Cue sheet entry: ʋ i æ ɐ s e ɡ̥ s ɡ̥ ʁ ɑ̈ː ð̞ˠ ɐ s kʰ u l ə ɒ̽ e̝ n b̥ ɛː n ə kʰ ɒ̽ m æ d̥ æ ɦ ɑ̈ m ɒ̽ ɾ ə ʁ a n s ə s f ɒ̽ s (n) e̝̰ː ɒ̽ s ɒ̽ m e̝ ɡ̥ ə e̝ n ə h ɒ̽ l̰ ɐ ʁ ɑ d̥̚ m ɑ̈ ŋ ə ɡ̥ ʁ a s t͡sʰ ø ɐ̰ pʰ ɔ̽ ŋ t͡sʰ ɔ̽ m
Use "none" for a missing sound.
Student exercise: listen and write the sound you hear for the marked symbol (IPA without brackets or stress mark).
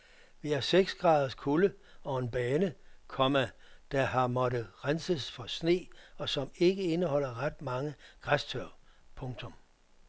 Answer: n